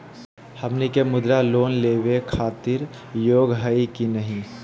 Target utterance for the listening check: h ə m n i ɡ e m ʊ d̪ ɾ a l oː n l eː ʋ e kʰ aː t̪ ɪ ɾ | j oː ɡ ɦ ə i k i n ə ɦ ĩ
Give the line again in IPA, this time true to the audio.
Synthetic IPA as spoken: h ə m n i k e m ʊ d̪ ɾ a l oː n l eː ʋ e kʰ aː t̪ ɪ ɾ | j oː ɡ ɦ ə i k i n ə ɦ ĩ